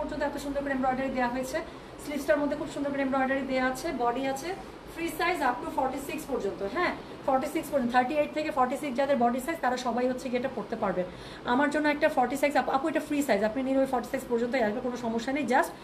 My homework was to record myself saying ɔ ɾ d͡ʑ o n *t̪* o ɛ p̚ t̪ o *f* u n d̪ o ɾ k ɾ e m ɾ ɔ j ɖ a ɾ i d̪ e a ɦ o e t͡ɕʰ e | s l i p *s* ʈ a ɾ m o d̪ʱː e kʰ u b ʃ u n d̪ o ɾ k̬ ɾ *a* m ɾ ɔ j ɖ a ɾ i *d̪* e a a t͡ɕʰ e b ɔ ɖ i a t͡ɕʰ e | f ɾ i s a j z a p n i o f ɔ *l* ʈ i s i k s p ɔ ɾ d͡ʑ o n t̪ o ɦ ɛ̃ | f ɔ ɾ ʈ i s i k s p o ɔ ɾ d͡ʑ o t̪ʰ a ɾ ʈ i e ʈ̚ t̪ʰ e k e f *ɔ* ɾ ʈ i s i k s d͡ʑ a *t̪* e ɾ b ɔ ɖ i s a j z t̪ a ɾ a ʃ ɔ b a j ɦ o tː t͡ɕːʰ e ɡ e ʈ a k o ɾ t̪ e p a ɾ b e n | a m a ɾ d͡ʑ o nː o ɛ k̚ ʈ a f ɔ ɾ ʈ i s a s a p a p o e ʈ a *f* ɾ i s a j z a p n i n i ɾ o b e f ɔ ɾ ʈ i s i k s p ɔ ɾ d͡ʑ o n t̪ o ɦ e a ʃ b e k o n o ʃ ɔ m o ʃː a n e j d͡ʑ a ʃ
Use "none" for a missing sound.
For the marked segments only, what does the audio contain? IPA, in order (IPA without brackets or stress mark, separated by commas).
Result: t̪, ʃ, s, e, d̪, ɾ, ɔ, d̪, f